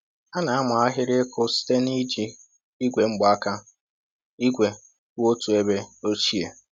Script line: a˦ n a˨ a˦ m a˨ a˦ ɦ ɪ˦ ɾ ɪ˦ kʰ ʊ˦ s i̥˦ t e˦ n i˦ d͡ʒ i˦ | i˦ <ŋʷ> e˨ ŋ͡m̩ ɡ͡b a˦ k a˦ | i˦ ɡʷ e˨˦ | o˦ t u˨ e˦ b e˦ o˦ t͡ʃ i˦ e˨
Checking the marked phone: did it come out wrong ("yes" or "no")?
yes